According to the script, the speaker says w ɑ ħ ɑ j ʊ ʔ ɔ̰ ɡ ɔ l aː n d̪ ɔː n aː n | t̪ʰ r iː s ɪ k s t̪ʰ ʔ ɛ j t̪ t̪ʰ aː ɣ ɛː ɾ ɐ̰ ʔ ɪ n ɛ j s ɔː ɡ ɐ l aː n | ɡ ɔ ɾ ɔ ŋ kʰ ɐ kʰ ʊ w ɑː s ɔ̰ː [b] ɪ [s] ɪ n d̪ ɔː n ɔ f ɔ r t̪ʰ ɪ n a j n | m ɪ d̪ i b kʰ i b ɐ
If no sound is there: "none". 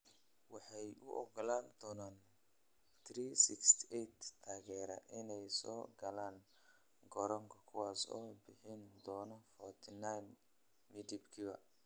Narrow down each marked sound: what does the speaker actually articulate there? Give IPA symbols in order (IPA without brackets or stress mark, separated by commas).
b, ħ